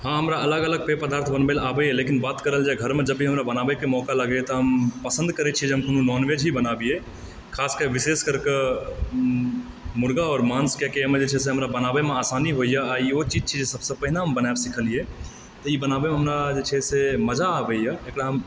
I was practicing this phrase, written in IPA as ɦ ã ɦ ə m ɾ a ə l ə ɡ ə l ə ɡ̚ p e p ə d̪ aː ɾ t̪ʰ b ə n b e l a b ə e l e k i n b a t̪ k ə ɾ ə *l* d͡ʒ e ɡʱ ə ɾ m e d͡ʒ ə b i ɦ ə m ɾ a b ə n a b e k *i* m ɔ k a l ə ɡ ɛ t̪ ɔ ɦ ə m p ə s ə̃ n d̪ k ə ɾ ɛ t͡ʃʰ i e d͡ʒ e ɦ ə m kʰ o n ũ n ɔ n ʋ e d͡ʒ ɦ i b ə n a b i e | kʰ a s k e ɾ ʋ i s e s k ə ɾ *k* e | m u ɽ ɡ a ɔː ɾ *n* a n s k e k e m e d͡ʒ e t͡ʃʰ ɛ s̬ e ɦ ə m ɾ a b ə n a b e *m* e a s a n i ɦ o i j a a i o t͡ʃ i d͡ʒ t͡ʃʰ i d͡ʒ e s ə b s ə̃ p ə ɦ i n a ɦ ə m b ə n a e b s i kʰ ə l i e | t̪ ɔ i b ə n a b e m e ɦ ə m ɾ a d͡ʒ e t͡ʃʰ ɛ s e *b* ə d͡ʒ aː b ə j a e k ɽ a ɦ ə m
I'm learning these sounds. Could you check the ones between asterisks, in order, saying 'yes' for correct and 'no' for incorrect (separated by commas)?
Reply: yes, no, yes, no, yes, no